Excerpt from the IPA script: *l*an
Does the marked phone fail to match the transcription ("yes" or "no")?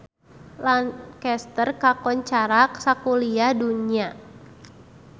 no